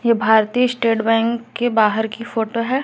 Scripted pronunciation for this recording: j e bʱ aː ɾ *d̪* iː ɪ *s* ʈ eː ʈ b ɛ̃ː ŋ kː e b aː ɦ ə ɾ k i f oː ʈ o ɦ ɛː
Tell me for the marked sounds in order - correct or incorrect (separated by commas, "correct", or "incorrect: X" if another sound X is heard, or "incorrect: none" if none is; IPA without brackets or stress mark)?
incorrect: t̪, correct